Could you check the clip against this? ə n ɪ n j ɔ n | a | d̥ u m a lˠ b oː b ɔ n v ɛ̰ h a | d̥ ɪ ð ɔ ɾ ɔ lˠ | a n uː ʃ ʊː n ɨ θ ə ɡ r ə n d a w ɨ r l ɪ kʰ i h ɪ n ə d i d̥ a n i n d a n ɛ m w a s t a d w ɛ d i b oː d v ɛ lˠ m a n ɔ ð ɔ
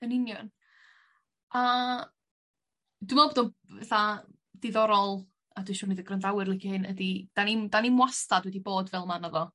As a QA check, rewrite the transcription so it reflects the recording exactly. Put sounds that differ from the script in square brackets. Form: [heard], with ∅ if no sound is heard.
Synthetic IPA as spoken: ə n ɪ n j ɔ n | a | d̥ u m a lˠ b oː [d] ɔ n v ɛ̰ [θ] a | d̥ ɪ ð ɔ ɾ ɔ lˠ | a [d] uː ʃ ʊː n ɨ [ð] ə ɡ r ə n d a w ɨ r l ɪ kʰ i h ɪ n ə d i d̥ a n i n d a n [i] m w a s t a d w ɛ d i b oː d v ɛ lˠ m a n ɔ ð ɔ